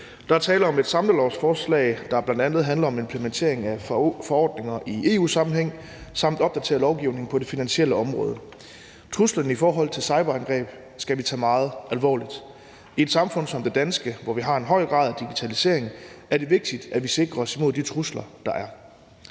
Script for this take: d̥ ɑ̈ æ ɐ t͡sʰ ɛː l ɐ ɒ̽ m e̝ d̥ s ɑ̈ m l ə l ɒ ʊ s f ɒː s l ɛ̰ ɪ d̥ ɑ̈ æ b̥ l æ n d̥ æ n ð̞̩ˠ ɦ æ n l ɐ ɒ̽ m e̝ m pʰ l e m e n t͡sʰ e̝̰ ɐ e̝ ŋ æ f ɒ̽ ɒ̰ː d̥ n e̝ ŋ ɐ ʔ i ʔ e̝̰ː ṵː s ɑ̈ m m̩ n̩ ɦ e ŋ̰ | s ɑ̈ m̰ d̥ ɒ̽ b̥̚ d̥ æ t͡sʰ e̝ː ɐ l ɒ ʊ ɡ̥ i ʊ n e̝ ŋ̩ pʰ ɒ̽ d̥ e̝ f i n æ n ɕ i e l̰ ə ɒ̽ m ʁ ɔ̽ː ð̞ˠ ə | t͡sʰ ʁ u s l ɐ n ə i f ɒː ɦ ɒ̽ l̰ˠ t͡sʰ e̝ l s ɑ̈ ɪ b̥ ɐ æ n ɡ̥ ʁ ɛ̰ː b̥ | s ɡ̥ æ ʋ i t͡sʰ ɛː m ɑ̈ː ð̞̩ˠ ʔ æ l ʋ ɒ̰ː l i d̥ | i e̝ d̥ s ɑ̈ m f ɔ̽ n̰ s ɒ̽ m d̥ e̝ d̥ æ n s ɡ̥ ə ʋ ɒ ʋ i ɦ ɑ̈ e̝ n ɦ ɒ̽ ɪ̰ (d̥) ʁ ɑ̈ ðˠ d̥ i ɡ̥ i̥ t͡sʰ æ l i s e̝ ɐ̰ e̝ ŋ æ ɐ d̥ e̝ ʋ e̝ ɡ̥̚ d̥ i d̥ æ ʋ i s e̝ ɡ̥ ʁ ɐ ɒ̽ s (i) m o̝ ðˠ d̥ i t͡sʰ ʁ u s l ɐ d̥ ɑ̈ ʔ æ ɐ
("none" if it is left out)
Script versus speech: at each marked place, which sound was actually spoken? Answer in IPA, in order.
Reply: ɡ̥, i

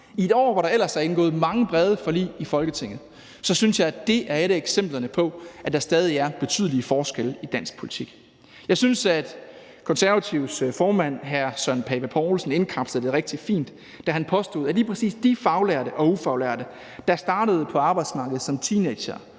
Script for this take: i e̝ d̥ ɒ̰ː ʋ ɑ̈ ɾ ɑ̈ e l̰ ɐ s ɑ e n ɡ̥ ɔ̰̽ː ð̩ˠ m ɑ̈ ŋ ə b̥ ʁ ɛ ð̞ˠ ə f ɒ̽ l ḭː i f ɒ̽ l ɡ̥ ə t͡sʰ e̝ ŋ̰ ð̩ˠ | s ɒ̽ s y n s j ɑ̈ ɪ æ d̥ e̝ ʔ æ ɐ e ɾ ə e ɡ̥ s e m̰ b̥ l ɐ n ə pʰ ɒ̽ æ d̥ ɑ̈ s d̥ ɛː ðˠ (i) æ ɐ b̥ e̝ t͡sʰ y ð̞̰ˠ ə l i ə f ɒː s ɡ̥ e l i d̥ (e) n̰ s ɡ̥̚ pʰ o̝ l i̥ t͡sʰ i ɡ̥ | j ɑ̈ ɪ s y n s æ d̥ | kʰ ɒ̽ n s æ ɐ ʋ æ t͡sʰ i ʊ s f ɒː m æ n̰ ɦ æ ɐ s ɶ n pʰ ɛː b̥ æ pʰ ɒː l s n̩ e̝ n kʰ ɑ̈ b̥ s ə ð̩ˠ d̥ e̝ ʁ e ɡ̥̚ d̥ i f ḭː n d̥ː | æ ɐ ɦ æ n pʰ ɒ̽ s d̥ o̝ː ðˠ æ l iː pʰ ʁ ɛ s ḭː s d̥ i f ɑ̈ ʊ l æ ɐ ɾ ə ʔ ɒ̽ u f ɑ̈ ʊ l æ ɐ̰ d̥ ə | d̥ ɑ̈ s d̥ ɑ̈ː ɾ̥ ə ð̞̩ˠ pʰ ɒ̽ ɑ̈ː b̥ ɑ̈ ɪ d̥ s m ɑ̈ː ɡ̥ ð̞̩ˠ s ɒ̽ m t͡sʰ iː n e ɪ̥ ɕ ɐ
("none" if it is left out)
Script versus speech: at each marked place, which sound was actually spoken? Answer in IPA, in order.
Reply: i, æ

